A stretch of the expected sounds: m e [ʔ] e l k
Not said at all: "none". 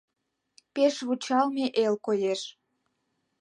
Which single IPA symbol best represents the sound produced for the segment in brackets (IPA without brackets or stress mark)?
ʔ